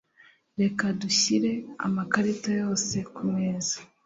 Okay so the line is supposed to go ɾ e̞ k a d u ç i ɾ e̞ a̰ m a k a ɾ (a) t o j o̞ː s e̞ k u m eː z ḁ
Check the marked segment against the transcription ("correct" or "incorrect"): incorrect